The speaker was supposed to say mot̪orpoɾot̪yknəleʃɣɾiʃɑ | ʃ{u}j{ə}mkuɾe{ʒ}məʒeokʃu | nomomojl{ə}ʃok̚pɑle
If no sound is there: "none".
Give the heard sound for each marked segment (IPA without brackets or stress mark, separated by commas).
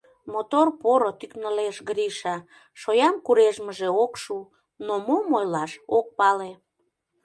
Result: o, ɑ, ʒ, ɑ